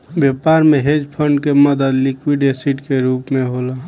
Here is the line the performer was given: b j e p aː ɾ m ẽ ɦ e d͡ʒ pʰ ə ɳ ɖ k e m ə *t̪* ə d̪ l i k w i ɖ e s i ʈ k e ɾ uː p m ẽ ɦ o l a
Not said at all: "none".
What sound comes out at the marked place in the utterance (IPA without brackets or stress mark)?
d̪